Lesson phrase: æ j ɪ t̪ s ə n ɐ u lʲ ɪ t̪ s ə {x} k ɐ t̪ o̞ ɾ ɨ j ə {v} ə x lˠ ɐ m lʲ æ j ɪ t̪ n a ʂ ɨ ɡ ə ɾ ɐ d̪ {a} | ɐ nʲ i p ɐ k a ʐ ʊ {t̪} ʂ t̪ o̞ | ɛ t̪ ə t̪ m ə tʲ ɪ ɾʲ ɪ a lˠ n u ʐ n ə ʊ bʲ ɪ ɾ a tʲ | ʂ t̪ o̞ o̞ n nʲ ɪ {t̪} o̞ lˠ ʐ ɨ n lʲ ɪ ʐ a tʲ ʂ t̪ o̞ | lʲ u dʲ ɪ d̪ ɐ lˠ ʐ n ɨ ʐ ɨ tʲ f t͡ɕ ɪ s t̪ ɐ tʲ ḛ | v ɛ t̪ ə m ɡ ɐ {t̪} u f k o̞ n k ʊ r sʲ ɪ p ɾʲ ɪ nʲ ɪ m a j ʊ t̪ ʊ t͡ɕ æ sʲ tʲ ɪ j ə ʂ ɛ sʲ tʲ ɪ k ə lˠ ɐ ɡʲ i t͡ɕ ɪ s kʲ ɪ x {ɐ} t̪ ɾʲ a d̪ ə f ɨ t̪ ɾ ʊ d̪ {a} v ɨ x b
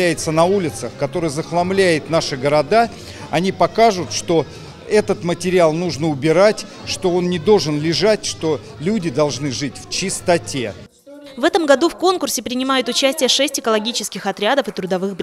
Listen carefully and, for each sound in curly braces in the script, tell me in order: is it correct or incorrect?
correct, incorrect: z, correct, correct, incorrect: d̪, incorrect: d̪, correct, incorrect: ɐ

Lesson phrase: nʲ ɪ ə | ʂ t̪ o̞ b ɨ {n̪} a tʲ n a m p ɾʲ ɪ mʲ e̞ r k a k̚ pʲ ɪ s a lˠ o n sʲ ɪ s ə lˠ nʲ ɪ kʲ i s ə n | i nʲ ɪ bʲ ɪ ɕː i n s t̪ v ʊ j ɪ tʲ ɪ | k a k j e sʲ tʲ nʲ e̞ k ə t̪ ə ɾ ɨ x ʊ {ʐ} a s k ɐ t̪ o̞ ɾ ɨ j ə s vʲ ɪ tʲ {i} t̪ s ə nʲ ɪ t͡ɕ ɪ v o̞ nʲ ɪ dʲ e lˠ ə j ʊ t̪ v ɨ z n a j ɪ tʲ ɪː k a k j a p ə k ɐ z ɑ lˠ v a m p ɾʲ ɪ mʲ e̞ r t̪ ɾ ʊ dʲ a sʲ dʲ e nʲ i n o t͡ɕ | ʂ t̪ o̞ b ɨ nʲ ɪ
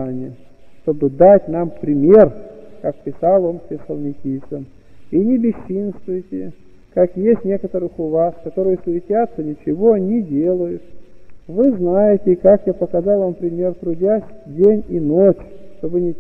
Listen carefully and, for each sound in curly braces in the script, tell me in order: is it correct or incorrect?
incorrect: d̪, incorrect: v, incorrect: a

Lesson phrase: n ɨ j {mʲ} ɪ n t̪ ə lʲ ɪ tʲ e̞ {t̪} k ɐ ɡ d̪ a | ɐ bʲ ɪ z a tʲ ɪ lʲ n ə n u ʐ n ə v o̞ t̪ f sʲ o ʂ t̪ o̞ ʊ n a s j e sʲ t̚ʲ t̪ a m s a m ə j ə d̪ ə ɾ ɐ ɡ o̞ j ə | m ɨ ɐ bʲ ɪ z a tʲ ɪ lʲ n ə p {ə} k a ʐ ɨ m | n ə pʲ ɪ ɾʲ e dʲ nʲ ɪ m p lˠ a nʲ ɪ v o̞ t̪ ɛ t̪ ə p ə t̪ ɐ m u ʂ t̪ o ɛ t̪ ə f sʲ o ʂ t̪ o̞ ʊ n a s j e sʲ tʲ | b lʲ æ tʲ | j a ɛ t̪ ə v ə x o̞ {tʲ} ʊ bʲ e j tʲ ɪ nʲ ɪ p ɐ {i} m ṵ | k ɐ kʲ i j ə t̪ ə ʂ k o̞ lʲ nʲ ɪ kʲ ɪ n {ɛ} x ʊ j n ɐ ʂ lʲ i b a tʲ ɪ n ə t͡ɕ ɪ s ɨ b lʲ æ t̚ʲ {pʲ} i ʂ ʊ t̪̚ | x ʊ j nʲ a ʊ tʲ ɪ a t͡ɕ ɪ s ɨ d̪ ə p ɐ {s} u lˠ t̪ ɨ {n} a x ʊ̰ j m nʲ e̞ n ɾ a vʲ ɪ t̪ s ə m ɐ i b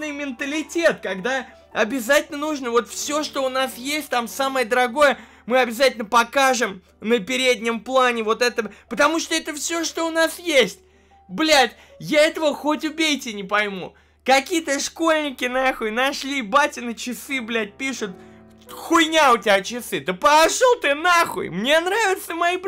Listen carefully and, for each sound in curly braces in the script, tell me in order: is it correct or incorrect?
correct, correct, incorrect: ɐ, correct, incorrect: j, incorrect: a, correct, incorrect: ʂ, correct

